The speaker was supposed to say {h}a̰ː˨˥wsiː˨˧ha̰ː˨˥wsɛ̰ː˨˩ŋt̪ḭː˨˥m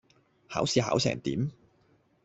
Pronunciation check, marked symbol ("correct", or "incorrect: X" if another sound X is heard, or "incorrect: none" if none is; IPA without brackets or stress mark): correct